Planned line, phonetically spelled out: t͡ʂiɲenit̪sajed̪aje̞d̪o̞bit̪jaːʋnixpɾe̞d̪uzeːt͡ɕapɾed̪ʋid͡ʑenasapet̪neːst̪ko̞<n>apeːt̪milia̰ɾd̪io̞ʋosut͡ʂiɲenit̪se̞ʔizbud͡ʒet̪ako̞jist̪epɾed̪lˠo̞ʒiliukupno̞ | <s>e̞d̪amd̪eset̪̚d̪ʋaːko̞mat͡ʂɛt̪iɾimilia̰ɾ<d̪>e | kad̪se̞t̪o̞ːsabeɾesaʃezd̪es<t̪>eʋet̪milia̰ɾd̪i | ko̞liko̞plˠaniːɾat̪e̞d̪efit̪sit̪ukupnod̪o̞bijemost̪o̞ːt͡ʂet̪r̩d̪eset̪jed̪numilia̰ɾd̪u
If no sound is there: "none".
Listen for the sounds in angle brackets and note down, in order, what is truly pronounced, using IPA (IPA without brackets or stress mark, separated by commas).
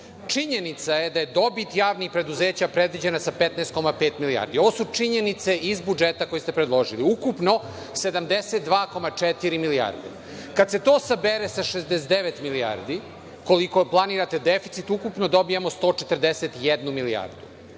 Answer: m, s, d̪, d̪